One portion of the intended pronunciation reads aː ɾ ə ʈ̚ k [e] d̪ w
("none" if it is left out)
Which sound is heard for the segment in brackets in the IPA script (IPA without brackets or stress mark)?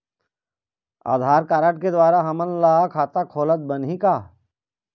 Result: e